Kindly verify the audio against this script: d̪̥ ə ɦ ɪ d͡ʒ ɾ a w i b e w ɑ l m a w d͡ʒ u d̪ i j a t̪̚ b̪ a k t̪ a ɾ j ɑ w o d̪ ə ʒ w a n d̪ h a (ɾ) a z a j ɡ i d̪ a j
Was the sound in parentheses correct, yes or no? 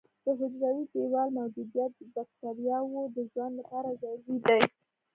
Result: yes